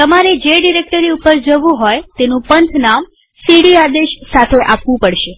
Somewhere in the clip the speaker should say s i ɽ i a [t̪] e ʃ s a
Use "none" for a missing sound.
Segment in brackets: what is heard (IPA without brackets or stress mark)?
d̪